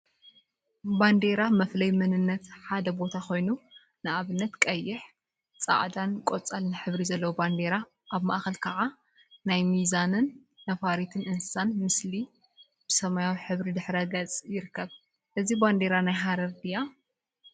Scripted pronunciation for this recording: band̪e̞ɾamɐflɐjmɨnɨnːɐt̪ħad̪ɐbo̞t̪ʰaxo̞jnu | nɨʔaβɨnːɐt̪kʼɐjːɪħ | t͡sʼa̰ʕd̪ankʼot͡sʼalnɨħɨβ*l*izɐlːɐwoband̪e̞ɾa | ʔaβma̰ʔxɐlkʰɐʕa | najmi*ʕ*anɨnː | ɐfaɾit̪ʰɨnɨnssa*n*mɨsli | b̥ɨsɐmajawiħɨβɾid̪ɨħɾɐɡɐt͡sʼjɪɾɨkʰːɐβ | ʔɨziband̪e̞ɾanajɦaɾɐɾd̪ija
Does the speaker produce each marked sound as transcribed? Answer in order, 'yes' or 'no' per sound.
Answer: no, no, yes

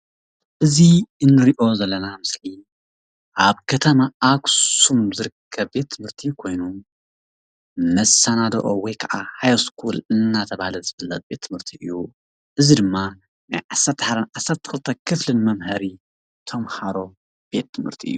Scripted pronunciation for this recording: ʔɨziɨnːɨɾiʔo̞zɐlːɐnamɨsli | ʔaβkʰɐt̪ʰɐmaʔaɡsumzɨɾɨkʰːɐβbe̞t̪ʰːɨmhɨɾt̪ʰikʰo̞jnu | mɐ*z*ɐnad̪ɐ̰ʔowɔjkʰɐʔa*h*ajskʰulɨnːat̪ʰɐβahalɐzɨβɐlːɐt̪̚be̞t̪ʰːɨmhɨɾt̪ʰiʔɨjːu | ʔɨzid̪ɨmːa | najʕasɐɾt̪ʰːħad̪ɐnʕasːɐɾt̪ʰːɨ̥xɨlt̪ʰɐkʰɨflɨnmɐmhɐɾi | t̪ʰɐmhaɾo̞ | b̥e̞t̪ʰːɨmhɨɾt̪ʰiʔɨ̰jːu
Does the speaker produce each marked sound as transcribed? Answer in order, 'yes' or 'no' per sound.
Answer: no, yes

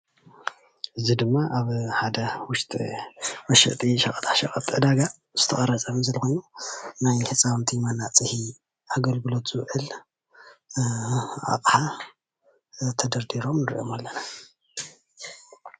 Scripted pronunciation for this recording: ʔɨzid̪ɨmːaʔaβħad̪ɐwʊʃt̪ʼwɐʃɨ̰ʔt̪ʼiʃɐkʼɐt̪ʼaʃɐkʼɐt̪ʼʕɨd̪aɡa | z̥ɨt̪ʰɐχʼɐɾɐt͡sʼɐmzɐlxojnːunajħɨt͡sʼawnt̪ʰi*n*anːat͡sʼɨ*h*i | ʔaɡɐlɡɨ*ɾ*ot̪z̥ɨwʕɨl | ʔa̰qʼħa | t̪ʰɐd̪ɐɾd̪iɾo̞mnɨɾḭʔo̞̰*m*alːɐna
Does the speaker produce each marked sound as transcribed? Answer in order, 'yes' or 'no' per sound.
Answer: no, yes, no, yes

